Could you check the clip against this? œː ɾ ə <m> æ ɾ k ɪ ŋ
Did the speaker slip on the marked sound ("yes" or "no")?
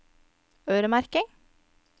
no